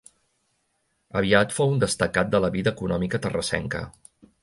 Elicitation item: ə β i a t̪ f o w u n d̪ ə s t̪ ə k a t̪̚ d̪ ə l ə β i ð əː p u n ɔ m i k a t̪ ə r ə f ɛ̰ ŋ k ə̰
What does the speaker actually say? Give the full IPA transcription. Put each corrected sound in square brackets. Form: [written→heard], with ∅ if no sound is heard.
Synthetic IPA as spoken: ə β i a t̪ f o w u n d̪ ə s t̪ ə k a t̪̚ d̪ ə l ə β i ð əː [p→k] u n ɔ m i k [a→ə] t̪ ə r ə [f→s] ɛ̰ ŋ k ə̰